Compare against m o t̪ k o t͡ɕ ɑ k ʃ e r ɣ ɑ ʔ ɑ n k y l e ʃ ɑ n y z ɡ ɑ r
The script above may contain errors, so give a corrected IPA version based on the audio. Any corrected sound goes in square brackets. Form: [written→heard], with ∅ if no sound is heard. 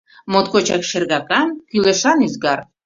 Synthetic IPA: m o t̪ k o t͡ɕ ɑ k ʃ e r ɣ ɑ [ʔ→k] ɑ n k y l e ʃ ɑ n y z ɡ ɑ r